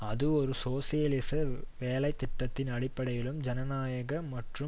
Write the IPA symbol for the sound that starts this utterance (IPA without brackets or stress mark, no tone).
ɐ